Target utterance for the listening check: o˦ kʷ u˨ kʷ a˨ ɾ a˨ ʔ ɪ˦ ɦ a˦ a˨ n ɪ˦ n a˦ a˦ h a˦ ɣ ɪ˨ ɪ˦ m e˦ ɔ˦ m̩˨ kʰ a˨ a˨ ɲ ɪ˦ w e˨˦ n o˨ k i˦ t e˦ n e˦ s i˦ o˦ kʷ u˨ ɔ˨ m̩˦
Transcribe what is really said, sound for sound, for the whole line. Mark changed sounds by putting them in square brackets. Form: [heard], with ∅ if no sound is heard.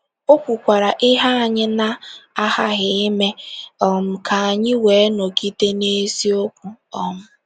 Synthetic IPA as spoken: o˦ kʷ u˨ kʷ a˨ ɾ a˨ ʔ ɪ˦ ɦ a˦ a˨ [ɲ] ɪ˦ n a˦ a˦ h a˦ ɣ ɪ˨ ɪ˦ m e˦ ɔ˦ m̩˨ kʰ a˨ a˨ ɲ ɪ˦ w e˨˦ n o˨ k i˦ t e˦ n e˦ s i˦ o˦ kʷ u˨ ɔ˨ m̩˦